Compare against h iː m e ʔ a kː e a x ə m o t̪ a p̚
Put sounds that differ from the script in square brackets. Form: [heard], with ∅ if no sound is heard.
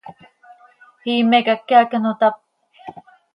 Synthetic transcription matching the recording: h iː m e [k] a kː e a [k] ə [n] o t̪ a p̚